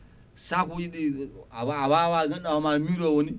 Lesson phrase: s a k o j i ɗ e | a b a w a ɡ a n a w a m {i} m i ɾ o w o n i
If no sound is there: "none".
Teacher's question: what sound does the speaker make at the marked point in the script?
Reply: a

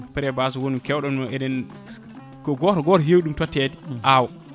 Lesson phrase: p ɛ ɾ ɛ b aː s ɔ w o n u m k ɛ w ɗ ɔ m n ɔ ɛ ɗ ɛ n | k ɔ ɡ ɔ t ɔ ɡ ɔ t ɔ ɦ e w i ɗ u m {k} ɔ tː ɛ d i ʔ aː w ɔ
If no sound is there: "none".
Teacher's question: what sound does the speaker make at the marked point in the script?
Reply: t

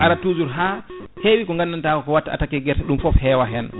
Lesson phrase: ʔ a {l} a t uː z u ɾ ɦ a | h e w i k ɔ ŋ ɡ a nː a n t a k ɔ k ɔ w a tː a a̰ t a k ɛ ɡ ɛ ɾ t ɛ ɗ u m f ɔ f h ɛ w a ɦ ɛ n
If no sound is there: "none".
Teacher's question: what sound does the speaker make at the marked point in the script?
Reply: ɾ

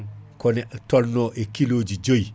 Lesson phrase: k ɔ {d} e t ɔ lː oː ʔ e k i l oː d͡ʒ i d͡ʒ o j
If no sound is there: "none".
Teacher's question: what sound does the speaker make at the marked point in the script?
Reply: n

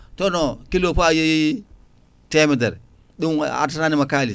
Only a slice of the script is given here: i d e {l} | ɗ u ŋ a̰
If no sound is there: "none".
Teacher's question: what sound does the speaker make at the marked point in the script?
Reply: ɾ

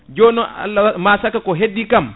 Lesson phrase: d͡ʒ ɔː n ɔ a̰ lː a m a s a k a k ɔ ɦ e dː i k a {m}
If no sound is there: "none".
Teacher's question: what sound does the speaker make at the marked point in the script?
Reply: m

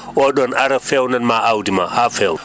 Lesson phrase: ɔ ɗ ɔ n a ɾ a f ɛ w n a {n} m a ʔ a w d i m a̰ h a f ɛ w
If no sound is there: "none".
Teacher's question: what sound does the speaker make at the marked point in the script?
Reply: n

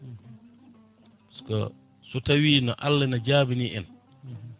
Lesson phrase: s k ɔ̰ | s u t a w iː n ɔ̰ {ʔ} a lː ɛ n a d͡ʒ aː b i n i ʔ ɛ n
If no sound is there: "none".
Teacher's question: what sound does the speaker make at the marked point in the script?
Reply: ʔ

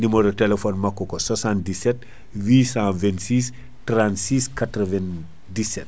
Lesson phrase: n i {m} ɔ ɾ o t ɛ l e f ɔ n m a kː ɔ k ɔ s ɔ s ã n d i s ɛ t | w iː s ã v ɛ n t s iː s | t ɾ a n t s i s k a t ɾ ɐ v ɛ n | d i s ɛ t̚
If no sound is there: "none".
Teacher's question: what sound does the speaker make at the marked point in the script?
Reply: m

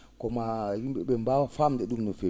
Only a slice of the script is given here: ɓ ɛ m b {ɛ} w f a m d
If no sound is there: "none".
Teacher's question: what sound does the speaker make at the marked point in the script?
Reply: a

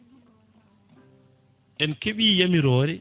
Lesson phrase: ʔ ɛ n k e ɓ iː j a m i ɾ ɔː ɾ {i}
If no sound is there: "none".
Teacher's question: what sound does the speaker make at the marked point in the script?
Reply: ɛ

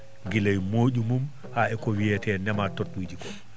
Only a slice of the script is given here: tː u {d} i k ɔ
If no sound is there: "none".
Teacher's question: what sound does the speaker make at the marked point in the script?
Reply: d͡ʒ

